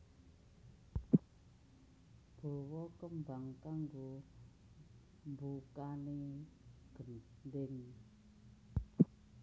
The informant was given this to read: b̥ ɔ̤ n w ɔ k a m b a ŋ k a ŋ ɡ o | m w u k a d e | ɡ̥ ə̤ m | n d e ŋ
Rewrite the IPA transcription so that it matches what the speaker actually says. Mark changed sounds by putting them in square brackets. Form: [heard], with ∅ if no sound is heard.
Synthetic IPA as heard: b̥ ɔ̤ [∅] w ɔ k [ə] m b a ŋ k a ŋ ɡ o | m [b] u k a [n] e | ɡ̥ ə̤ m | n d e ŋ